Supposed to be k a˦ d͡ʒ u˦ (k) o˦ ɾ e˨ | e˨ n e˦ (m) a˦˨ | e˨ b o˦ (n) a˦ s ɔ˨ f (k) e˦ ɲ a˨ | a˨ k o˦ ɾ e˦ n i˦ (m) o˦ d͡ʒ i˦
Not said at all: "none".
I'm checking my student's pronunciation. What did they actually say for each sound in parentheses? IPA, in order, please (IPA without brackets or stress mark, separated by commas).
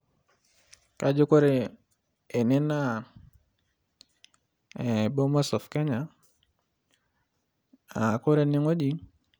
k, n, m, k, ŋ